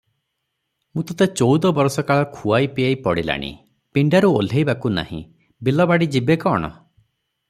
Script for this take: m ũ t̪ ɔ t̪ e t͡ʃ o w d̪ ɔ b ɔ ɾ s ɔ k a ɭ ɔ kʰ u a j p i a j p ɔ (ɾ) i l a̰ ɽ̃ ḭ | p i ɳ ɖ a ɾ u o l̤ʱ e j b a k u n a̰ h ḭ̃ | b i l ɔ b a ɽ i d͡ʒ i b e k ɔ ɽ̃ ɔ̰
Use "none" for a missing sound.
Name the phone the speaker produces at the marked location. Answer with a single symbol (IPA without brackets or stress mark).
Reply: ɽ